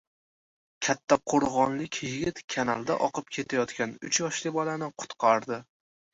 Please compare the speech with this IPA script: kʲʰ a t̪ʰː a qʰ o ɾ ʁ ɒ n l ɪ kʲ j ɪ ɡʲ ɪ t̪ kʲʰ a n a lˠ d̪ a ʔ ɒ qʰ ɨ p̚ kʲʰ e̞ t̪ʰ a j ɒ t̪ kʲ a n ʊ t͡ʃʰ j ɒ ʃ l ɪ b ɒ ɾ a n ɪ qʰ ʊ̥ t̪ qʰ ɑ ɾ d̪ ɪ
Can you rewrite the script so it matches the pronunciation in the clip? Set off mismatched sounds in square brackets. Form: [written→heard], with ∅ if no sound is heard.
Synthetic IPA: kʲʰ a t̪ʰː a qʰ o ɾ ʁ ɒ n l ɪ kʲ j ɪ ɡʲ ɪ t̪ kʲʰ a n a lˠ d̪ a ʔ ɒ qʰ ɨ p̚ kʲʰ e̞ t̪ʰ a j ɒ t̪ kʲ a n ʊ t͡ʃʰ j ɒ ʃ l ɪ b ɒ [ɾ→l] a n ɪ qʰ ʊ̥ t̪ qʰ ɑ ɾ d̪ ɪ